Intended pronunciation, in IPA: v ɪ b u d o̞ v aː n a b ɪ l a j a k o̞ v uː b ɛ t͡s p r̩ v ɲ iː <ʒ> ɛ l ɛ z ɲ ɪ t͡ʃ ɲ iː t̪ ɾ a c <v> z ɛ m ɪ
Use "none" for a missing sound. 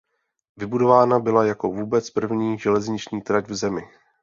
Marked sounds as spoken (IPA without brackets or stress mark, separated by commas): ʒ, v